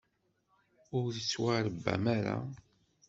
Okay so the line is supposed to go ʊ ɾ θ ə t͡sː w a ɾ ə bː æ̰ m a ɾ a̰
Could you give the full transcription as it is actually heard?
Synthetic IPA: ʊ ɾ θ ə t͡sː w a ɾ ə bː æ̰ m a ɾ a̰